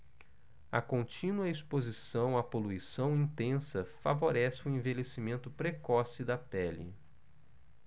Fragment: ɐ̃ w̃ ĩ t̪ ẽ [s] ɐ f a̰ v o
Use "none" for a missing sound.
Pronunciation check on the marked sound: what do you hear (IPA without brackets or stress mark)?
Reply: s